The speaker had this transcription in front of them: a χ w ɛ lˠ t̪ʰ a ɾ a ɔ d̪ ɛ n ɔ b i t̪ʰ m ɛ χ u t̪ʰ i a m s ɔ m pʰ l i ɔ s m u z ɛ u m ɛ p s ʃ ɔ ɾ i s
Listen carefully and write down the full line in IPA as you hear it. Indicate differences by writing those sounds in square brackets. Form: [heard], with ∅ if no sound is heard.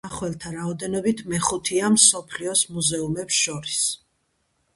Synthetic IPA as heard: a χ w ɛ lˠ t̪ʰ a ɾ a ɔ d̪ ɛ n ɔ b i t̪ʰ m ɛ χ u t̪ʰ i a m s ɔ [∅] pʰ l i ɔ s m u z ɛ u m ɛ p s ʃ ɔ ɾ i s